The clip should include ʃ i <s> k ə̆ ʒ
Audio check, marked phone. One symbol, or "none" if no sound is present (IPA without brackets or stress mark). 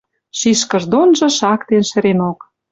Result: ʃ